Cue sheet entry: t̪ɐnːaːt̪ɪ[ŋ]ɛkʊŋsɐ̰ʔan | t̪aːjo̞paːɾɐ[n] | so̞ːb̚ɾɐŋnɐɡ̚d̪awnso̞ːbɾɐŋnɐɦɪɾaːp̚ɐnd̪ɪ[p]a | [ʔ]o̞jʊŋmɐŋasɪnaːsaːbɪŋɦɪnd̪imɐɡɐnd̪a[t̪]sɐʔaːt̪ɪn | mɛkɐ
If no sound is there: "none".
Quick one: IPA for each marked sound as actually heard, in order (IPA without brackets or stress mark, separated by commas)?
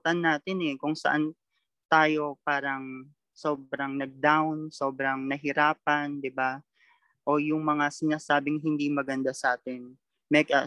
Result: n, ŋ, b, ʔ, none